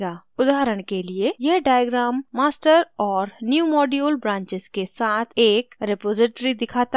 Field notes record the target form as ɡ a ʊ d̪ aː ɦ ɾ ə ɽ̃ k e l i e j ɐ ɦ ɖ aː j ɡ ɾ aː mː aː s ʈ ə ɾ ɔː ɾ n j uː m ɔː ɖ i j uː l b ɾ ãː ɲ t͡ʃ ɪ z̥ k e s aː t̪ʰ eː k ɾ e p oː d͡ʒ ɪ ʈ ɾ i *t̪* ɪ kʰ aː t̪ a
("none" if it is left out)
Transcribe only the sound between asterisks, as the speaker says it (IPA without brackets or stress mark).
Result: d̪